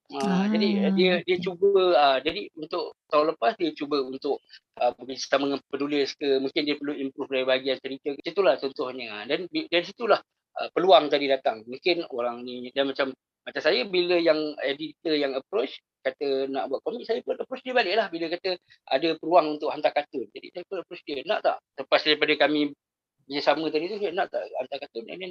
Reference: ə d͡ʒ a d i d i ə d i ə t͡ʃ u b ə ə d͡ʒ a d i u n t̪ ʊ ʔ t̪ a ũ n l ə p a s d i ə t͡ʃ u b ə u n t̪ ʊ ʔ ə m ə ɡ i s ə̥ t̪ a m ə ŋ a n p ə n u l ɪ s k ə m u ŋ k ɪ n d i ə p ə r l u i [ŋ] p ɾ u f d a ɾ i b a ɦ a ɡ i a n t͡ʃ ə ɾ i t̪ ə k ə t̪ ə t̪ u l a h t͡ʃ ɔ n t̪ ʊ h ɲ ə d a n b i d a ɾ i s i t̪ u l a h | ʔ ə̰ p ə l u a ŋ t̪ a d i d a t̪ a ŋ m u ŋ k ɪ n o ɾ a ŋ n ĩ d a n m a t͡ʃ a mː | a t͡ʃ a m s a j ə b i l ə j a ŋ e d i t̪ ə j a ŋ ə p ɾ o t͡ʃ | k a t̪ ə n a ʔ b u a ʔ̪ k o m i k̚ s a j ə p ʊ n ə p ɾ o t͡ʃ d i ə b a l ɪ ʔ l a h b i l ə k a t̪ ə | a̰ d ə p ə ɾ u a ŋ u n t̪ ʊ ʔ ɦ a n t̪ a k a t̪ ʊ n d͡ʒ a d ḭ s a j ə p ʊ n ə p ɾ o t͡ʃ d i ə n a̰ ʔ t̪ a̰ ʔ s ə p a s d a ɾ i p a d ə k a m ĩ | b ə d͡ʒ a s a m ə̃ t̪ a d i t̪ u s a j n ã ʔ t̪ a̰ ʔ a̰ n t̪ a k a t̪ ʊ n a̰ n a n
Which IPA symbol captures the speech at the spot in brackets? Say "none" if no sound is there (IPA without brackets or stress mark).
m